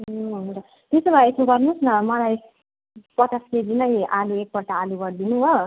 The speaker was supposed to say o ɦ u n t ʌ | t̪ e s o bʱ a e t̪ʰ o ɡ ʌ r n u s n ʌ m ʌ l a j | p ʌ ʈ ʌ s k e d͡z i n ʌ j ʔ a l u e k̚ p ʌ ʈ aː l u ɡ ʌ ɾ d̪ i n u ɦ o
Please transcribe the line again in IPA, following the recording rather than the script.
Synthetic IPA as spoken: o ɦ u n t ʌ | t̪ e s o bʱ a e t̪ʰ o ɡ ʌ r n u s n ʌ m ʌ l a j | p ʌ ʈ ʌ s k e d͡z i n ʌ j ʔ a l u e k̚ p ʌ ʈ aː l u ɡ ʌ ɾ d̪ i n u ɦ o